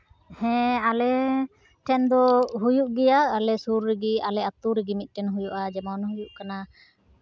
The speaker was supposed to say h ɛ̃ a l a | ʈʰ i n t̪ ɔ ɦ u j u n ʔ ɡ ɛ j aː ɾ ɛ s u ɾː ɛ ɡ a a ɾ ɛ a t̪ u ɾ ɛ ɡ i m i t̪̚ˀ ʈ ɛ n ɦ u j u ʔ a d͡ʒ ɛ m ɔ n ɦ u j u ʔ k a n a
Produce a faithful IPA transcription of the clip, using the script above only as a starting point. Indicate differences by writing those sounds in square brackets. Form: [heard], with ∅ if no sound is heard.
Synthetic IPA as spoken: h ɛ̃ a l [ɛ] | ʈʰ [ɛ] n [d̪] ɔ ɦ u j u [∅] ʔ ɡ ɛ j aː [l] ɛ s u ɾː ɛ ɡ [i] a [l] ɛ a t̪ u ɾ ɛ ɡ i m i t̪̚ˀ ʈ ɛ n ɦ u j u ʔ a d͡ʒ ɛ m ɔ n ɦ u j u ʔ k a n a

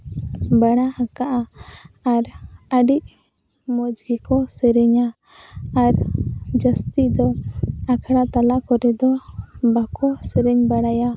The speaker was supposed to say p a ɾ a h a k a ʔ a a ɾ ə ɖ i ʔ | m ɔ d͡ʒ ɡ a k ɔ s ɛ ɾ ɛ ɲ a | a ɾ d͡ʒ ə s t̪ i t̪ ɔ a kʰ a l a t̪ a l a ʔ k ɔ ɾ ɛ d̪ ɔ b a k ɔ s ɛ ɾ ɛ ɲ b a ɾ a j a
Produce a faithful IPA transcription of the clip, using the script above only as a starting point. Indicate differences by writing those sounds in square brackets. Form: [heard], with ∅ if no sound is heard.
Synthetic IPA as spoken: [b] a [ɽ] a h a k a ʔ a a ɾ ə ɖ i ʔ | m ɔ d͡ʒ ɡ [i] k ɔ s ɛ ɾ ɛ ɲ a | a ɾ d͡ʒ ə s t̪ i [d̪] ɔ a kʰ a [ɽ] a t̪ a l a ʔ k ɔ ɾ ɛ d̪ ɔ b a k ɔ s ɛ ɾ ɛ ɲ b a [ɽ] a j a

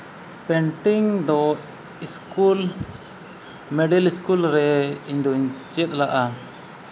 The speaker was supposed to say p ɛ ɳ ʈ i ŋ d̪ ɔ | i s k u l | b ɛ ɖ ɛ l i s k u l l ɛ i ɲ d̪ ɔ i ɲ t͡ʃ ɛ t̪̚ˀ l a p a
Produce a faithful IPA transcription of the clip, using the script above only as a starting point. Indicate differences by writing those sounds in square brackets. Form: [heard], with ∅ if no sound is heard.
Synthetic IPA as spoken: p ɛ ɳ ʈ i ŋ d̪ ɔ | i s k u l | [m] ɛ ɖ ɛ l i s k u l [ɾ] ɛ i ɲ d̪ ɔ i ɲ t͡ʃ ɛ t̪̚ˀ l a [ʔ] a

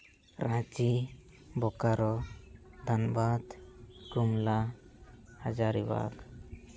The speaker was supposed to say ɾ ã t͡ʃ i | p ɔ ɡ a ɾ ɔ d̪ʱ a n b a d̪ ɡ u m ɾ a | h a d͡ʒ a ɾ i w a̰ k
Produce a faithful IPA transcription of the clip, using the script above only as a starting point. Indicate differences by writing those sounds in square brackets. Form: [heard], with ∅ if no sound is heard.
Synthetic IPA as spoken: ɾ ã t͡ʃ i | [b] ɔ [k] a ɾ ɔ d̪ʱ a n b a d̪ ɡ u m [l] a | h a d͡ʒ a ɾ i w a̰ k

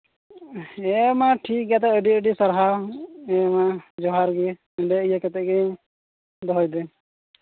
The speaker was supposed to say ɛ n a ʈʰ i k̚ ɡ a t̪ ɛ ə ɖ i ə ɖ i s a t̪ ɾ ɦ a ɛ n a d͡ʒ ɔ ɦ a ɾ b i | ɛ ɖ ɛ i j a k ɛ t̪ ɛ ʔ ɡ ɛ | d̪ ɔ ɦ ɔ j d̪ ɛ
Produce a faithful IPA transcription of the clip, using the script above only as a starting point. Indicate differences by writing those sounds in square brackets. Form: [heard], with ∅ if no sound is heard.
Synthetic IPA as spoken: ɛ [m] a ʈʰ i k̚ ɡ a t̪ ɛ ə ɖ i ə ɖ i s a [∅] ɾ ɦ a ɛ [m] a d͡ʒ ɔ ɦ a ɾ [ɡ] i | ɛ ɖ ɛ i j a k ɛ t̪ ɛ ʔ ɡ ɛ | d̪ ɔ ɦ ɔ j d̪ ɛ

